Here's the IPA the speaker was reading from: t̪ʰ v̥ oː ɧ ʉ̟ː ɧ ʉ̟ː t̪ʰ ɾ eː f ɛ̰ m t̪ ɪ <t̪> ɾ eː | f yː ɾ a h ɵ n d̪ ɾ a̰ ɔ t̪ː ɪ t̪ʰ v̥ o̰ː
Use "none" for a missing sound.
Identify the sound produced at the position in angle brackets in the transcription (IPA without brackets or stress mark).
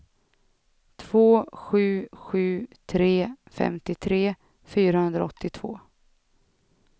t̪ʰ